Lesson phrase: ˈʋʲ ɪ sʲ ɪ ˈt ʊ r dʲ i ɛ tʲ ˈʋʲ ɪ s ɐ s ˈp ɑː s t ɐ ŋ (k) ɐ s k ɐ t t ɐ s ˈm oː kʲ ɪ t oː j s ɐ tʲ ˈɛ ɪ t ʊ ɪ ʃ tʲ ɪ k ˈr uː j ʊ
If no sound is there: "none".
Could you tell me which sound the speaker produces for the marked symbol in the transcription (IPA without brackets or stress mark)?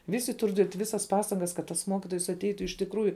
ɡ